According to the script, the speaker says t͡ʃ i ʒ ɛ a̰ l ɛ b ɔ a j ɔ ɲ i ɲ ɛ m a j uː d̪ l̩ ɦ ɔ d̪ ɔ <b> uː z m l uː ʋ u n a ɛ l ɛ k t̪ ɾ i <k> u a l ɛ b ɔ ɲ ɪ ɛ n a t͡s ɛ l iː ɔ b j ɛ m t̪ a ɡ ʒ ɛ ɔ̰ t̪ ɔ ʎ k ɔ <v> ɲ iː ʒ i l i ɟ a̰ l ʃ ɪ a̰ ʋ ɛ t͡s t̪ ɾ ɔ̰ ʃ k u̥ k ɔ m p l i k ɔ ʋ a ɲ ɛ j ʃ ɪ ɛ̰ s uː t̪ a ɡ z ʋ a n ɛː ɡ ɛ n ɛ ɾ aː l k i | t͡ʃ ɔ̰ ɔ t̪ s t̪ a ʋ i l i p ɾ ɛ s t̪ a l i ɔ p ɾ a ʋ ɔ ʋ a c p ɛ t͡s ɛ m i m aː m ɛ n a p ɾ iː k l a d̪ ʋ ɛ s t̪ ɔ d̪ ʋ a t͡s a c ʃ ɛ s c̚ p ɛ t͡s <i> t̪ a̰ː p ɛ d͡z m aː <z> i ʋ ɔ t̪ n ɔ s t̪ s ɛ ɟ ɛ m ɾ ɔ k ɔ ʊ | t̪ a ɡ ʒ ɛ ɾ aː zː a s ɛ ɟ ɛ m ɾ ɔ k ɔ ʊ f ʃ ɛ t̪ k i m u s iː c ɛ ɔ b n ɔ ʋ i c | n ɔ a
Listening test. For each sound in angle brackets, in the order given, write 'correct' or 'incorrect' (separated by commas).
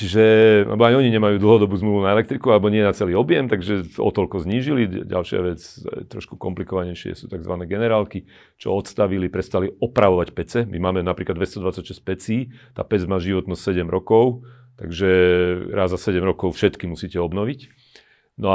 correct, correct, incorrect, incorrect, incorrect